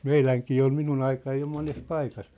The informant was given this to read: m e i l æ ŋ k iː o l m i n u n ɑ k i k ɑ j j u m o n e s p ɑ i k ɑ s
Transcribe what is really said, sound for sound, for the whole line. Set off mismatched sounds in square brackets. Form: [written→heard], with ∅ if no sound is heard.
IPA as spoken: m e i l æ ŋ k iː o l m i n u n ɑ [k→∅] i k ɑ j j [u→o] m o n e s p ɑ i k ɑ s